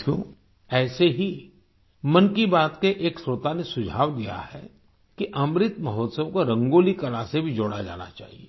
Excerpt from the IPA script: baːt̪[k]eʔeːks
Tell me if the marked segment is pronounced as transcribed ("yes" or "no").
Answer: yes